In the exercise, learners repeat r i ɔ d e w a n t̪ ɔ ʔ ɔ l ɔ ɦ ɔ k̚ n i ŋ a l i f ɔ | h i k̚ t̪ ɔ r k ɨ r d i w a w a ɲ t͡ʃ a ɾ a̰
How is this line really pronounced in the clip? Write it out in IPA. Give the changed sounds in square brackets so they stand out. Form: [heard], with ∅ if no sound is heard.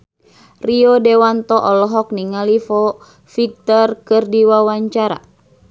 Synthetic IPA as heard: r i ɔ d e w a n t̪ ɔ ʔ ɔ l ɔ ɦ ɔ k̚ n i ŋ a l i f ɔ | [f] i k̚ t̪ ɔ r k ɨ r d i w a w a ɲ t͡ʃ a ɾ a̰